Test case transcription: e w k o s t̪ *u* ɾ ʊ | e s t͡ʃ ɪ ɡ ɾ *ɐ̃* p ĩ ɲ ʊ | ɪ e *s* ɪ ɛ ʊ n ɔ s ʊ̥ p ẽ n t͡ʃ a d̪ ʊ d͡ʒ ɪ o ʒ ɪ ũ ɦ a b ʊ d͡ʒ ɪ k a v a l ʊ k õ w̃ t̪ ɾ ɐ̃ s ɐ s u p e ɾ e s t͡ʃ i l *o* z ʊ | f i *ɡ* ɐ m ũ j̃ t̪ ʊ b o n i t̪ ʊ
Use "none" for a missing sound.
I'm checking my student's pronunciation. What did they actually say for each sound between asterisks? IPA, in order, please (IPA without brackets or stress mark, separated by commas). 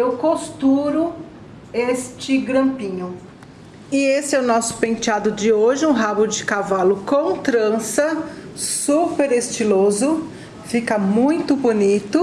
u, ɐ̃, s, o, k